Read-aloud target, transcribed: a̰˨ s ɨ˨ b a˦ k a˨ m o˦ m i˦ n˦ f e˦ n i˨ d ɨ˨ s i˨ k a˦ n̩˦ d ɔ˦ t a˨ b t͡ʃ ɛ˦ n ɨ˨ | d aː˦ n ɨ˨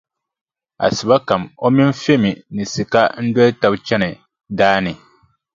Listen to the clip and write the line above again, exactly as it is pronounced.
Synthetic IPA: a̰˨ s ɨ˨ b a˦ k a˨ m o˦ m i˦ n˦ f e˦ m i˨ n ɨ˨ s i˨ k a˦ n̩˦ d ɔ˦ t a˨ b t͡ʃ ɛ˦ n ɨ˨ | d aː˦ n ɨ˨